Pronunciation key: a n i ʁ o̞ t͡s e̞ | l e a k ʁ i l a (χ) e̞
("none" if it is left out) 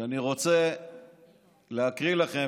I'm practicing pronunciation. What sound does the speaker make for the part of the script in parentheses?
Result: χ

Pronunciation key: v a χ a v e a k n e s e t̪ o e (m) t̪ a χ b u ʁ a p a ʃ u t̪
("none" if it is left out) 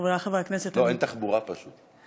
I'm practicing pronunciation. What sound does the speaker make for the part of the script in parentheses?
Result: n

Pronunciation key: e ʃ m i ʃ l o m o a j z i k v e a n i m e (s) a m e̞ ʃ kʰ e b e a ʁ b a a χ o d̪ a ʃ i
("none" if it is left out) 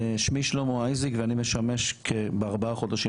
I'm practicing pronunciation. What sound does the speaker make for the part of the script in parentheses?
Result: ʃ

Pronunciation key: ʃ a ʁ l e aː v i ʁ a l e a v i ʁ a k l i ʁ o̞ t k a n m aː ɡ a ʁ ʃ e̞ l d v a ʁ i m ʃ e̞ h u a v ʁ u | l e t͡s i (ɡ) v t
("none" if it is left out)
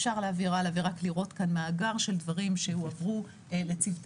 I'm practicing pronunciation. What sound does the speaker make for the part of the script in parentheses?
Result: none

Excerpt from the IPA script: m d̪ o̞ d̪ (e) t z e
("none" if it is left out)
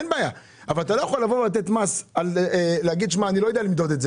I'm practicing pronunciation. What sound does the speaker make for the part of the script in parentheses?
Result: e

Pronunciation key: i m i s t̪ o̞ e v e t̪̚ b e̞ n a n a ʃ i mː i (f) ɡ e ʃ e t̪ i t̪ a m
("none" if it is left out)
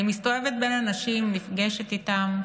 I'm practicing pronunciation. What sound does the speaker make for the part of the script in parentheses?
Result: f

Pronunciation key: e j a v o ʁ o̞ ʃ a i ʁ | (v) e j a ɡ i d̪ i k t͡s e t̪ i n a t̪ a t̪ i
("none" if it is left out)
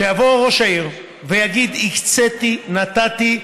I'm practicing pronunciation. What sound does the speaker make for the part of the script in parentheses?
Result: v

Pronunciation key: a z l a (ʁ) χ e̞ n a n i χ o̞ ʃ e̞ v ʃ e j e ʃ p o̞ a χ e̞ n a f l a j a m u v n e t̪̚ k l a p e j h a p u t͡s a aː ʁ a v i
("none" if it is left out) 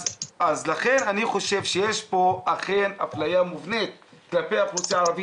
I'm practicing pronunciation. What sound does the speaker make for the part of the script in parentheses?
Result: none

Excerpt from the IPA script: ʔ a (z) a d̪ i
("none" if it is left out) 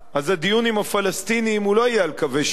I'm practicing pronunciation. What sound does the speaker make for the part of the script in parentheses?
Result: z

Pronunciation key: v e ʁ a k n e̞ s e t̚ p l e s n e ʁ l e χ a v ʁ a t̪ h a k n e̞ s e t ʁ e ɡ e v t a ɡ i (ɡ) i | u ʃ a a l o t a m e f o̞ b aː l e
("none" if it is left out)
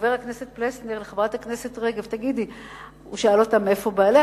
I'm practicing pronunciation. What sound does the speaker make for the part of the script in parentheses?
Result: d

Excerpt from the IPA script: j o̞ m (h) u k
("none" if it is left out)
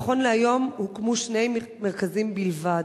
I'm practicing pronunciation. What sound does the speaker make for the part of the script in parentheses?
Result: h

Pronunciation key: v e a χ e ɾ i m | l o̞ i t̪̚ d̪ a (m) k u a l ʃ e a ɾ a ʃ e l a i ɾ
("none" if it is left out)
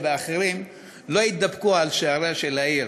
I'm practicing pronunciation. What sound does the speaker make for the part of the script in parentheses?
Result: b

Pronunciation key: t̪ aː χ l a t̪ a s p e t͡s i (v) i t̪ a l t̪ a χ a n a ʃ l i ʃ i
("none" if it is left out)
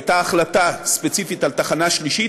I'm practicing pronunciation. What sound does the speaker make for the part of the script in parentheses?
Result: f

